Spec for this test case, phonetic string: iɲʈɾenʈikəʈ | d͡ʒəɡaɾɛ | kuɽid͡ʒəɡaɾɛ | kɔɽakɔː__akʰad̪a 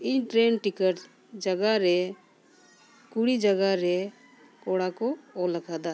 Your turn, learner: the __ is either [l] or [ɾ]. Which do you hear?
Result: l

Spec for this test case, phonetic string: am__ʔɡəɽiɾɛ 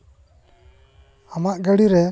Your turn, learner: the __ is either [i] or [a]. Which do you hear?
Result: a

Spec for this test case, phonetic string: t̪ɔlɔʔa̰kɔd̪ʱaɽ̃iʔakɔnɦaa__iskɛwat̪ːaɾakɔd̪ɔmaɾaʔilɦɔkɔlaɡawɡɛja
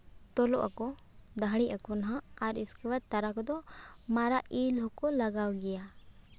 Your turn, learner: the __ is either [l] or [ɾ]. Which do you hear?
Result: ɾ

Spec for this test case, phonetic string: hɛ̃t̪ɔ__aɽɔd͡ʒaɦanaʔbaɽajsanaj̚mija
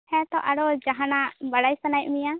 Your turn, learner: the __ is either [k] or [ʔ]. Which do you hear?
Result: ʔ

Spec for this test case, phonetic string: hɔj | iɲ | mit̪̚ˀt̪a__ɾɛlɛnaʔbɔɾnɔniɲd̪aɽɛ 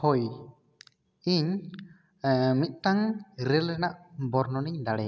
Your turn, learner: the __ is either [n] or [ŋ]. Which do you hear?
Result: ŋ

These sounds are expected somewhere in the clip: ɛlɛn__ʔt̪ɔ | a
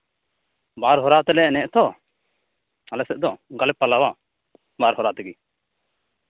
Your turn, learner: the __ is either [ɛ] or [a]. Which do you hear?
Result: ɛ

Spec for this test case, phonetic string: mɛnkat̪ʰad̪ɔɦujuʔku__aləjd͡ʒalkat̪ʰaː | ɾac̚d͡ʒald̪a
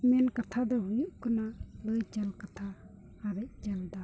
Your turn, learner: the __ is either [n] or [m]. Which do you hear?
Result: n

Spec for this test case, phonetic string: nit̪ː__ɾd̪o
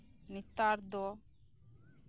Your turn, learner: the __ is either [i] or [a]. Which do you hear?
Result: a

